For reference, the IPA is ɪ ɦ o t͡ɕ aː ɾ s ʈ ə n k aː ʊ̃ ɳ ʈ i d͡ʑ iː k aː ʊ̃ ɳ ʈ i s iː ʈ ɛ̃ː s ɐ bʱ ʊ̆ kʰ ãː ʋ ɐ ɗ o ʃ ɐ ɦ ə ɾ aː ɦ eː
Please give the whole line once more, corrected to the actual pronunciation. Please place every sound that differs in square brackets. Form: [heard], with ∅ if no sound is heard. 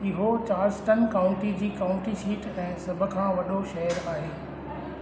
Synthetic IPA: ɪ ɦ o t͡ɕ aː ɾ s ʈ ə n k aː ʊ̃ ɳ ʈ i d͡ʑ iː k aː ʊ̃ ɳ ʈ i s iː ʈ ɛ̃ː s ɐ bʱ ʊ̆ kʰ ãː ʋ ɐ ɗ o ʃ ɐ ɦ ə ɾ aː ɦ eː